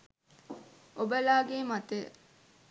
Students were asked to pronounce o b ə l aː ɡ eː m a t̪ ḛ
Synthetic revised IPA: o b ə l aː ɡ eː m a t̪ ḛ